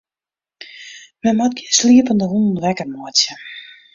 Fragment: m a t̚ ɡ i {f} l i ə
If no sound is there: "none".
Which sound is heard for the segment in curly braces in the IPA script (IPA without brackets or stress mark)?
s